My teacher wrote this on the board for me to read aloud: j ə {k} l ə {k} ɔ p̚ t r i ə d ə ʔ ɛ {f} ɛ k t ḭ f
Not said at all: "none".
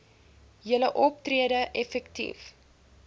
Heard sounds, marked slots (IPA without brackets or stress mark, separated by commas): none, ʔ, f